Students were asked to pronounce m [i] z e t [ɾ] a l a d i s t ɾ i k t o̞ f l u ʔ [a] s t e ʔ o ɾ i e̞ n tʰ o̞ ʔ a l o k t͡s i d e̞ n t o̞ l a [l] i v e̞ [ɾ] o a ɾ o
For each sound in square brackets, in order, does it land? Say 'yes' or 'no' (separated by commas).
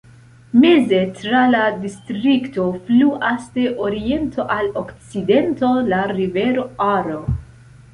no, yes, yes, no, yes